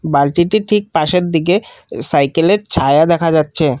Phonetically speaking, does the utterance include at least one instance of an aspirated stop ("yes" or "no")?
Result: yes